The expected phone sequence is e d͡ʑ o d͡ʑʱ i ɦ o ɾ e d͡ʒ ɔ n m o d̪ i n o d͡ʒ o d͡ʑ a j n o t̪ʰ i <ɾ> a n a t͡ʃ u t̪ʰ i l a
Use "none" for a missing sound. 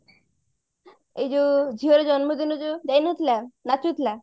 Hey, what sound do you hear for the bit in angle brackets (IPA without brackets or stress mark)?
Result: l